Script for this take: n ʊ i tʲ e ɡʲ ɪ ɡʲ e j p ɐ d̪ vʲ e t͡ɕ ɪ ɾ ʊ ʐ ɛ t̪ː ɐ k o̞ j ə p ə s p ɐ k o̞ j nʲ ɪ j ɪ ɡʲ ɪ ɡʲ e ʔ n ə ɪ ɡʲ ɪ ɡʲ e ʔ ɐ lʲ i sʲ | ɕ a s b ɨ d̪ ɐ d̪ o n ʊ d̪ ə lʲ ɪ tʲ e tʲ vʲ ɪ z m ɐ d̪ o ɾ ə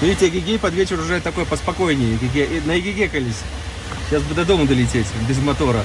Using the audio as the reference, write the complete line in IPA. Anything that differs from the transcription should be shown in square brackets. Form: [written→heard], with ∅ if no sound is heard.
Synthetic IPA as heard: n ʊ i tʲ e ɡʲ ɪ ɡʲ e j p ɐ d̪ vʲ e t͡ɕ ɪ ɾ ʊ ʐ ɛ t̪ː ɐ k o̞ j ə p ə s p ɐ k o̞ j nʲ ɪ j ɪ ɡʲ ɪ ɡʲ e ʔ n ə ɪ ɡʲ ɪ ɡʲ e [ʔ→k] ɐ lʲ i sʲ | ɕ a s b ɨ d̪ ɐ d̪ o [n→m] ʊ d̪ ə lʲ ɪ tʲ e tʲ [vʲ→bʲ] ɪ z m ɐ [d̪→t̪] o ɾ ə